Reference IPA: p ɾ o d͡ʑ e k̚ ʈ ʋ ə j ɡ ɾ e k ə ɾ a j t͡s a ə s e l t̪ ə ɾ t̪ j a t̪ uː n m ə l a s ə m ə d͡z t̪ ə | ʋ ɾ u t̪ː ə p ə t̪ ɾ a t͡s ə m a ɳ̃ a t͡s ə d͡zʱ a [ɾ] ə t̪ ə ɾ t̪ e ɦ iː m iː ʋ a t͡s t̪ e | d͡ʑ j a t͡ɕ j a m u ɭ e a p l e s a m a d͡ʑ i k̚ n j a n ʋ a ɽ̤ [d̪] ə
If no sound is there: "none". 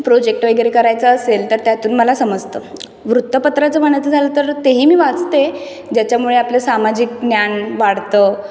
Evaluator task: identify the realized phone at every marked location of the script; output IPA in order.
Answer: l, t̪

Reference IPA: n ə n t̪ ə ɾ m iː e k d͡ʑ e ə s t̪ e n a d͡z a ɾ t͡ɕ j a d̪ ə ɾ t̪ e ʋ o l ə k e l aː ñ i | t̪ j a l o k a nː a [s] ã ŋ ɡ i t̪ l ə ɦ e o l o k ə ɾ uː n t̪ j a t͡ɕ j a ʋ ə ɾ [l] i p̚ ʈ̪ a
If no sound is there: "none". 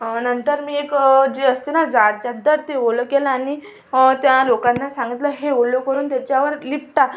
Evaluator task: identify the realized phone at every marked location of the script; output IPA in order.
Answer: s, l

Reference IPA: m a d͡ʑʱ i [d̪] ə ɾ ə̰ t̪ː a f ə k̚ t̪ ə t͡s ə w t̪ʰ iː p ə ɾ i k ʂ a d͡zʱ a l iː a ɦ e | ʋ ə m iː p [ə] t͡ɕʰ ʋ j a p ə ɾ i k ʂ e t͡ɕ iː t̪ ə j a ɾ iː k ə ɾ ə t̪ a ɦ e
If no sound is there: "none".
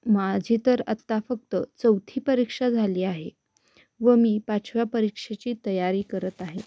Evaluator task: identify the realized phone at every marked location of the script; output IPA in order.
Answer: t̪, a

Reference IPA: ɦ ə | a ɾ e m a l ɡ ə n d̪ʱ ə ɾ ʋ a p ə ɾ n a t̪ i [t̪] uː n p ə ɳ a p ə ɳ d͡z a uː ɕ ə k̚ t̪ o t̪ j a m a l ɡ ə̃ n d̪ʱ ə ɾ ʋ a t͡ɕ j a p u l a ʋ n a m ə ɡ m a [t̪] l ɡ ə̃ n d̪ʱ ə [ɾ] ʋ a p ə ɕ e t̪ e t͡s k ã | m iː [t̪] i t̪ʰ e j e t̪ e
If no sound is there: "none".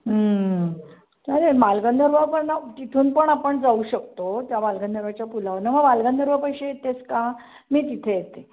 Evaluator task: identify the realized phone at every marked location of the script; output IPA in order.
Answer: t̪ʰ, none, ɾ, t̪

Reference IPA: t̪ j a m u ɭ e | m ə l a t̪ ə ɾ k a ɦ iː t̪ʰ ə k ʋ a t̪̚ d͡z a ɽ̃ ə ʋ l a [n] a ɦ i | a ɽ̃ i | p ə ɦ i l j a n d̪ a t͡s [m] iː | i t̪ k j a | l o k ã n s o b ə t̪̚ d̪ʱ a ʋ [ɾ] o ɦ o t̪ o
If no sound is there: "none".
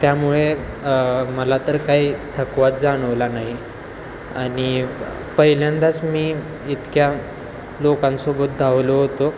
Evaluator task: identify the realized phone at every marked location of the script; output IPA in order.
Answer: n, m, l

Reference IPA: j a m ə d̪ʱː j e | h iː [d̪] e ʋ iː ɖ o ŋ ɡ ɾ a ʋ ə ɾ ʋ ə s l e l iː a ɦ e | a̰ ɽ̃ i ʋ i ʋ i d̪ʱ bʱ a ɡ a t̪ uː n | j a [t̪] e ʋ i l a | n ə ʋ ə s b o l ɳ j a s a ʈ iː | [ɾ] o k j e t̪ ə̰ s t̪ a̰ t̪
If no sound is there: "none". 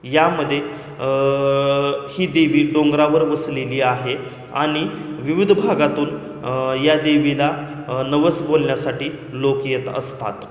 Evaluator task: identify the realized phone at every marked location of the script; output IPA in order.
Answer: d̪, d̪, l

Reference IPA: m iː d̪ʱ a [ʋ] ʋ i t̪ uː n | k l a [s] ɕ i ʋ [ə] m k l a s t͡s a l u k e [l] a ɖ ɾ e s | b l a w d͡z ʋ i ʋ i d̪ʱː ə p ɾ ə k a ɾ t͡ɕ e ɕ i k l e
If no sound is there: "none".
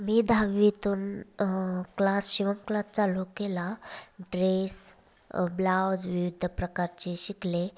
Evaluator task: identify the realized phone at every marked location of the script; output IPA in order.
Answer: ʋ, s, ə, l

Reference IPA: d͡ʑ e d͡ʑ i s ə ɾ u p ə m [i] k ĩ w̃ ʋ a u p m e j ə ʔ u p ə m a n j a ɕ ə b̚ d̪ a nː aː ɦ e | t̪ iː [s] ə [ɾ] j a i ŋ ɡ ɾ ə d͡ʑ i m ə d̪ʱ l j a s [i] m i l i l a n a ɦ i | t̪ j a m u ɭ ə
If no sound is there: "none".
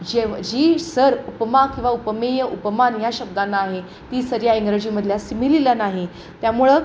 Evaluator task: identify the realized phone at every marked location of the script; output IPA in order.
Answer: a, s, ɾ, i

